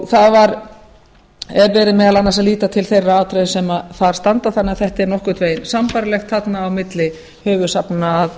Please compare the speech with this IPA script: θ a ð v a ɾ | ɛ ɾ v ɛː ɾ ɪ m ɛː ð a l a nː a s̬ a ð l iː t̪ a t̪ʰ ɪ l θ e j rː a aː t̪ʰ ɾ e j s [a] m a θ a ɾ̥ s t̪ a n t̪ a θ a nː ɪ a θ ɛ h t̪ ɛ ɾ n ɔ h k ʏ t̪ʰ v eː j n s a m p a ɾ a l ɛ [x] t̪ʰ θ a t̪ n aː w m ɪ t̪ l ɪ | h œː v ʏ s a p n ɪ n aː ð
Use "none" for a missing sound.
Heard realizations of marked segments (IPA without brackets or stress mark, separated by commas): ɛ, x